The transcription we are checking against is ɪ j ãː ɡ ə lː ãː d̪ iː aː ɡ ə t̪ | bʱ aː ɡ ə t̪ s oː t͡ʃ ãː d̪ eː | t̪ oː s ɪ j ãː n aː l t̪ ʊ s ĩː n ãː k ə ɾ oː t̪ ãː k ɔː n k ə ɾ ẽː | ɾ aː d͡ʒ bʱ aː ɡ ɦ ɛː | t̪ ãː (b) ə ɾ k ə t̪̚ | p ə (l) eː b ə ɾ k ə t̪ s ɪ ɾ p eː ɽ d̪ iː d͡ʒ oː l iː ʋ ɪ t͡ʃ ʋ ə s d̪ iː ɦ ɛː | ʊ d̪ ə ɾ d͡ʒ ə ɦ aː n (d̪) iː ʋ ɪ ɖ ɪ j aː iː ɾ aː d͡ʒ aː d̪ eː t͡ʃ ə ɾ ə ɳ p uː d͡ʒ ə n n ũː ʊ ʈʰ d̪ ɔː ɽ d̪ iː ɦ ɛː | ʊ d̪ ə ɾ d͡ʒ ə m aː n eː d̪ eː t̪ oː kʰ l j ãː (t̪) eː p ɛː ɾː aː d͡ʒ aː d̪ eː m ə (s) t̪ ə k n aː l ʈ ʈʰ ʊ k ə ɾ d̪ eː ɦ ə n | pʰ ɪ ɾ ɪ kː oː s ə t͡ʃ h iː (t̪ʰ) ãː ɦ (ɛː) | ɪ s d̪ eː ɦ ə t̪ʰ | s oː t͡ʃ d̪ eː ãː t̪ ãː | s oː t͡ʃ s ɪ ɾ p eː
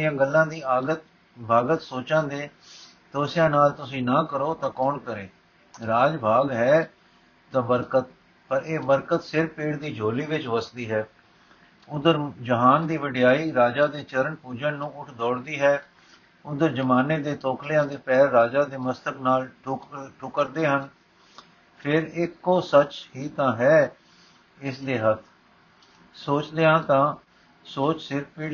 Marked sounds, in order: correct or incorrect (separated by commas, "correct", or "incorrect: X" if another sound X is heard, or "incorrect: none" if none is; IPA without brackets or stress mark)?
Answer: correct, incorrect: ɾ, correct, incorrect: d̪, correct, incorrect: t̪, correct